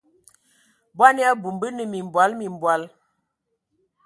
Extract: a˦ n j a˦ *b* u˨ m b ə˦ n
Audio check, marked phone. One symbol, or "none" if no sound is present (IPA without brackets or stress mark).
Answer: b